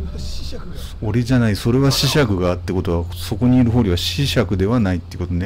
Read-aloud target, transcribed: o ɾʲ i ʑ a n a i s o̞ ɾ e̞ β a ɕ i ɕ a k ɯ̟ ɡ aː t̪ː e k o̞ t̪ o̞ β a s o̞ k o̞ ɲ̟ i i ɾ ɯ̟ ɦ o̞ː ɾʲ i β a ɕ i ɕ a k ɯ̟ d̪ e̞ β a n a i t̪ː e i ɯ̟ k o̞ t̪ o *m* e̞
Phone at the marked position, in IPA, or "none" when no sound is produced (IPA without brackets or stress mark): n